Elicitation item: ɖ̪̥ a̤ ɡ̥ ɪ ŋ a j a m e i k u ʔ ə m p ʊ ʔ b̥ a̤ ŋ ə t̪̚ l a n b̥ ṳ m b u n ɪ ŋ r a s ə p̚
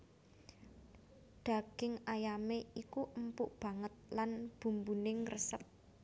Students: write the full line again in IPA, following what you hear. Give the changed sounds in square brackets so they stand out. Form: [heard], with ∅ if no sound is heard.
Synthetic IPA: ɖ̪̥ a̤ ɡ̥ ɪ ŋ a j a m e i k u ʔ ə m p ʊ ʔ b̥ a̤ ŋ ə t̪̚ l a n b̥ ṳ m b u n ɪ ŋ r [ə] s ə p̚